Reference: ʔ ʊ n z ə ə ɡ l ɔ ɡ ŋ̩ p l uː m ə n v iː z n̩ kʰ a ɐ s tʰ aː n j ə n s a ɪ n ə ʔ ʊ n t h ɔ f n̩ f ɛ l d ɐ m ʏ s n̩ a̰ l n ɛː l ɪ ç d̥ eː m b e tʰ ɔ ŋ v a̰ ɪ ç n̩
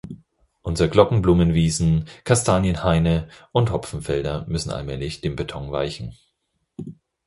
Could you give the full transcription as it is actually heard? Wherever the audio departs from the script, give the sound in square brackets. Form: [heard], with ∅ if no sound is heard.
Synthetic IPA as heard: ʔ ʊ n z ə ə ɡ l ɔ [k] ŋ̩ [b] l uː m ə n v iː z n̩ kʰ a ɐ s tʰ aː n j ə n [h] a ɪ n ə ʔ ʊ n t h ɔ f n̩ f ɛ l d ɐ m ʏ s n̩ a̰ l [m] ɛː l ɪ ç d̥ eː m b e tʰ ɔ ŋ v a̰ ɪ ç n̩